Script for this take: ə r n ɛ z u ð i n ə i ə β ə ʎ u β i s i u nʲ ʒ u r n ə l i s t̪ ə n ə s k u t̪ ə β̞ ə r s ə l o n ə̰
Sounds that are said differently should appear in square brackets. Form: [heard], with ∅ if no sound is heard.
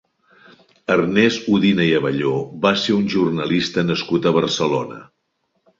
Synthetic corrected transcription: ə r n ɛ z u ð i n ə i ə β ə ʎ [o] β [a] s [e] u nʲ ʒ u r n ə l i s t̪ ə n ə s k u t̪ ə β̞ ə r s ə l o n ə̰